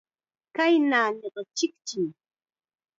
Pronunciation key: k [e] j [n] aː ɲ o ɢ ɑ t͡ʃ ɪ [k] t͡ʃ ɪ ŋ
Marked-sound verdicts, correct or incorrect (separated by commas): incorrect, correct, correct